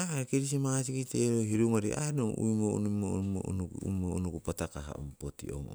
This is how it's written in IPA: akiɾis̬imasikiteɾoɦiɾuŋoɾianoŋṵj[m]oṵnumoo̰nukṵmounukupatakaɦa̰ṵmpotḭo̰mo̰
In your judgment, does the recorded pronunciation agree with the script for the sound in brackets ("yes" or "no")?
yes